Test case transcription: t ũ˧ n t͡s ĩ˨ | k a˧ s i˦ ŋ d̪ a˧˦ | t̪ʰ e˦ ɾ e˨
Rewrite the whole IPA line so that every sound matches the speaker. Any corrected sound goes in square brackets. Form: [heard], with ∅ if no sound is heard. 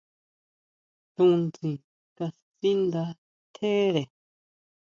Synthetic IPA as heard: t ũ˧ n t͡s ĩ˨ | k a˧ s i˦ [n] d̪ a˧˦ | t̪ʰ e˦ ɾ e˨